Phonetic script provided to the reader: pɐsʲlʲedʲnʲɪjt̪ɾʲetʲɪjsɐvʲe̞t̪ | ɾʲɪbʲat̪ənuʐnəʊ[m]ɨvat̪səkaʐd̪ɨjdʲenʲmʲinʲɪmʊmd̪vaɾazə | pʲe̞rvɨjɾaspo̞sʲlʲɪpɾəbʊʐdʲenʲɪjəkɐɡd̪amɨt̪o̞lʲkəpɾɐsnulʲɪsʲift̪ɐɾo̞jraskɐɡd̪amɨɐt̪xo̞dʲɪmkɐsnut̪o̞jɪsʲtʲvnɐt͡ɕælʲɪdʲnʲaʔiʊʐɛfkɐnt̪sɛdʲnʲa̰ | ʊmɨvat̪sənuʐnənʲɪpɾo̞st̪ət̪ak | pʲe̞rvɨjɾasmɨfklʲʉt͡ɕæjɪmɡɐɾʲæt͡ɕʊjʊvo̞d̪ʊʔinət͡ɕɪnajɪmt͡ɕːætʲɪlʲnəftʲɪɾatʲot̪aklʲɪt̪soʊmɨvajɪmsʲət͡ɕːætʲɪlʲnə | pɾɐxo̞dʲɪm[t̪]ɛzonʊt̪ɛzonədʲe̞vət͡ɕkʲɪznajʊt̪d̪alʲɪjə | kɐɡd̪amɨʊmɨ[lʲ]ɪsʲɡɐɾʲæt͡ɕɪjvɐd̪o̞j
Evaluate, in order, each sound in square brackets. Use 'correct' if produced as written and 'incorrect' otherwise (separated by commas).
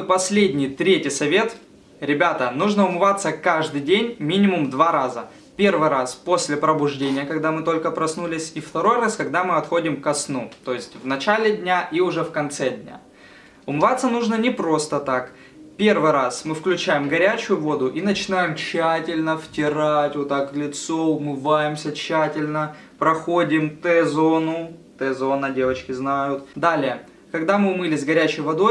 correct, correct, correct